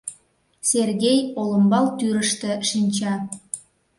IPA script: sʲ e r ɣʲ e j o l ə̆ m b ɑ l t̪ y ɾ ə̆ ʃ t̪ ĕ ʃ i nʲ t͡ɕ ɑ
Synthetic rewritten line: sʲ e r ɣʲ e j o l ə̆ m b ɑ l t̪ y ɾ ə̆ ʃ t̪ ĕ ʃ i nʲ t͡ɕ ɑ